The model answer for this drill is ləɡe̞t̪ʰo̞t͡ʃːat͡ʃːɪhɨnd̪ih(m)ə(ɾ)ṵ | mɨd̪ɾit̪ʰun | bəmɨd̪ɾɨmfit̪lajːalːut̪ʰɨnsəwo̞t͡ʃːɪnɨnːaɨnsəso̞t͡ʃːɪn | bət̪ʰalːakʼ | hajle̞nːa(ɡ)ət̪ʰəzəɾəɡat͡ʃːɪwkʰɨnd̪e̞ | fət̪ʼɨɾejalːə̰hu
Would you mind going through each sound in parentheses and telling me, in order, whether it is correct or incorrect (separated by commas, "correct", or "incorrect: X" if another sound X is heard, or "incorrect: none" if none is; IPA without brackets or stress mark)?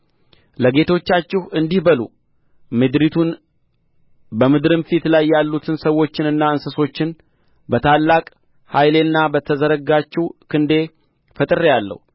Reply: incorrect: b, incorrect: l, incorrect: b